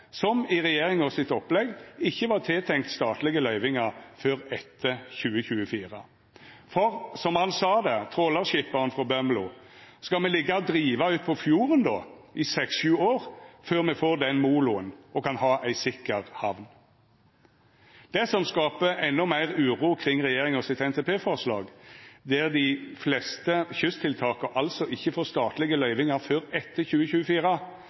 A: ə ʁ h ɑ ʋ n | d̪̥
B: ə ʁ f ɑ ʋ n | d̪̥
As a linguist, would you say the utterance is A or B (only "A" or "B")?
A